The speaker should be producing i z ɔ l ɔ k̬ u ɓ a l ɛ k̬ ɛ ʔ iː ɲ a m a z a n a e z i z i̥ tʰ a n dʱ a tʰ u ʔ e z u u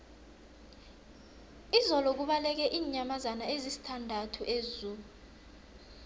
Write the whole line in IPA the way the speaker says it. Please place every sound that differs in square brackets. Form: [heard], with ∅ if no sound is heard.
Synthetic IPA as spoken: i z ɔ l ɔ k̬ u ɓ a l ɛ k̬ ɛ ʔ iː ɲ a m a z a n a e z i [s] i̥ tʰ a n dʱ a tʰ u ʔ e z u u